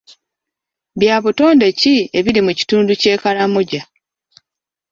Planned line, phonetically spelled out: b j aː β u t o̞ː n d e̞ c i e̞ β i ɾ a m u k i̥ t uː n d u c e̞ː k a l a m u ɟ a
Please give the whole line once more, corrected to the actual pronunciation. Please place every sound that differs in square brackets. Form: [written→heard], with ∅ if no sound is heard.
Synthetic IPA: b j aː β u t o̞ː n d e̞ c i e̞ β i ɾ [a→i] m u [k→c] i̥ t uː n d u c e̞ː k a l a m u ɟ a